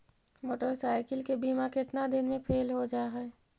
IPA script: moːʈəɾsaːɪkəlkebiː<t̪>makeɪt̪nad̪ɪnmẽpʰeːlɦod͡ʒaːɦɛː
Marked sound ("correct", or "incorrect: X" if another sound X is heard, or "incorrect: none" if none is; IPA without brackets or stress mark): incorrect: none